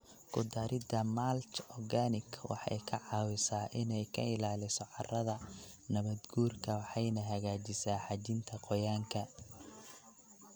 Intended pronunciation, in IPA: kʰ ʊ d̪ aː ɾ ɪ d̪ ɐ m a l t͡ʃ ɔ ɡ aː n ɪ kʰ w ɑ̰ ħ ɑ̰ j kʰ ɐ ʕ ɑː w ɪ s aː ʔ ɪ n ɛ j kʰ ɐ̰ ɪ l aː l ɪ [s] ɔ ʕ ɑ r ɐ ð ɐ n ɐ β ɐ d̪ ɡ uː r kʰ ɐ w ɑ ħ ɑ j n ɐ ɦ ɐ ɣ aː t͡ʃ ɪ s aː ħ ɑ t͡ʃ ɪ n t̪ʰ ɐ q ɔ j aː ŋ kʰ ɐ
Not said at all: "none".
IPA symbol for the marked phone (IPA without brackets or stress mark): s